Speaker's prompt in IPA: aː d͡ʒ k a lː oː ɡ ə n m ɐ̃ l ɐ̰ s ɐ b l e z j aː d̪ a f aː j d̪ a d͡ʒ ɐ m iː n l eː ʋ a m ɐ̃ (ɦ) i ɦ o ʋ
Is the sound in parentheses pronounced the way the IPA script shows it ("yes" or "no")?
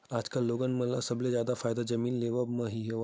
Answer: yes